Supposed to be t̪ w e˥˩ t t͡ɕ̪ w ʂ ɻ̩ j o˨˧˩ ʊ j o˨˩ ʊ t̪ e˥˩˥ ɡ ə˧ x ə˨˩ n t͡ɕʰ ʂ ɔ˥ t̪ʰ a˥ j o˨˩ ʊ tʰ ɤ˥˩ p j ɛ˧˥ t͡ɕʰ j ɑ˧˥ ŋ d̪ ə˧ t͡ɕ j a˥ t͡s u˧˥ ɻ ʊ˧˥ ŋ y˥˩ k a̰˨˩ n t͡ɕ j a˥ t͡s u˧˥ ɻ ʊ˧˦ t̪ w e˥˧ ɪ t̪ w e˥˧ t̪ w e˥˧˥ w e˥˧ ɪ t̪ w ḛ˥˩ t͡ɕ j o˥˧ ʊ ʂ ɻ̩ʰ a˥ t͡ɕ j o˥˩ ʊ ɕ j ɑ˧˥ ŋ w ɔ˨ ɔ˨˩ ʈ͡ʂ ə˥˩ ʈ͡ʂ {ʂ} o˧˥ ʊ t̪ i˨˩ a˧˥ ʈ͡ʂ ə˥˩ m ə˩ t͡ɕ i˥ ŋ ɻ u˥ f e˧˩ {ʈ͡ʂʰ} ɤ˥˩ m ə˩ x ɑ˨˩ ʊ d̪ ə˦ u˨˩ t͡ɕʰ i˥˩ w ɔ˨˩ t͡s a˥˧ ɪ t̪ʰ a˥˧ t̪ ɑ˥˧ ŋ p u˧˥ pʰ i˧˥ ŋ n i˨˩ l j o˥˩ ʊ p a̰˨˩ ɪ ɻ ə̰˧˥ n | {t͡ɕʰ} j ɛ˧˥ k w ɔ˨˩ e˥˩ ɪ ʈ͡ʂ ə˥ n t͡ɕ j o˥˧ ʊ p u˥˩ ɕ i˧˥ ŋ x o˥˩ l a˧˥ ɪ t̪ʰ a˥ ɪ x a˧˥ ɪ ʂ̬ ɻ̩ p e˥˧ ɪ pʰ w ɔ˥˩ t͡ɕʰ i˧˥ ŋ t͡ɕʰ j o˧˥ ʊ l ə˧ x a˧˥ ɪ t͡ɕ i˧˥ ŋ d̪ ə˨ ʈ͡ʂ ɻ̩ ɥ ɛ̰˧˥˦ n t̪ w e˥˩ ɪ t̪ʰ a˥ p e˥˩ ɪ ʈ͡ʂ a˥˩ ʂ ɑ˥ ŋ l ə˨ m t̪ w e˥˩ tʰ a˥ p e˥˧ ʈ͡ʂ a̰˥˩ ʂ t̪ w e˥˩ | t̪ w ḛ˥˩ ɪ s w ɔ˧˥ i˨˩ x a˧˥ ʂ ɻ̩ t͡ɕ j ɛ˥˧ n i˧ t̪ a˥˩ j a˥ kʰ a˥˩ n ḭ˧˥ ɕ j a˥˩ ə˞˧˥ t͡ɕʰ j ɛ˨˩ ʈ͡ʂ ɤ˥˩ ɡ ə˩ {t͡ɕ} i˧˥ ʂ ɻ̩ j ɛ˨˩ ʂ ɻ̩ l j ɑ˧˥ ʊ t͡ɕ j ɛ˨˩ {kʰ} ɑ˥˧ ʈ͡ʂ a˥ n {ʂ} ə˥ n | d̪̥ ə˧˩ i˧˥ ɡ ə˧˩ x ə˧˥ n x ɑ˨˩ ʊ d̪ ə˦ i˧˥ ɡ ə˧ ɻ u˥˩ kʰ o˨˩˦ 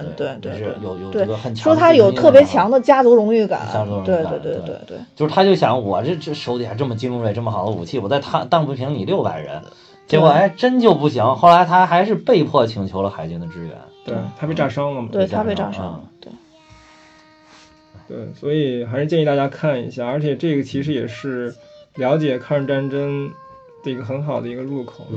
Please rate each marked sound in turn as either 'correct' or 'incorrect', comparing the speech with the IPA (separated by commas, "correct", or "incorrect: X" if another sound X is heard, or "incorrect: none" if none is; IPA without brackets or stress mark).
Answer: correct, incorrect: ʈ͡ʂ, incorrect: t͡ɕ, incorrect: t͡ɕʰ, correct, incorrect: ʈ͡ʂ